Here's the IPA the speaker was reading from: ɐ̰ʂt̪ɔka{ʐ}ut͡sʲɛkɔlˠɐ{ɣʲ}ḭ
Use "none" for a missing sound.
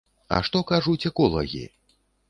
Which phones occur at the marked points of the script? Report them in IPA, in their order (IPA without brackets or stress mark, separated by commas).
ʐ, ɣʲ